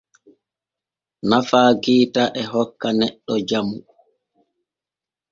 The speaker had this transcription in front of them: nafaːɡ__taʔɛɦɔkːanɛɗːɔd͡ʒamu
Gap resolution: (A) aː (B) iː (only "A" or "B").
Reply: B